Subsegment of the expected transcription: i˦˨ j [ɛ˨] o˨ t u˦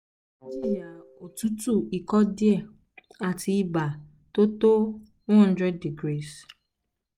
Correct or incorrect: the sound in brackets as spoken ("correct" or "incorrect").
incorrect